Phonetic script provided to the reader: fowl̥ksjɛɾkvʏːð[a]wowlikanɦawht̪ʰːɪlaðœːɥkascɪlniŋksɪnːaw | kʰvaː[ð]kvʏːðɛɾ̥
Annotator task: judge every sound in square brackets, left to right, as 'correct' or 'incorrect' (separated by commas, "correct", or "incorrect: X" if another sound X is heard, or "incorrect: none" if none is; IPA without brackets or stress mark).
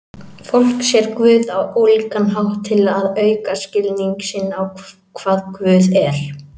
correct, correct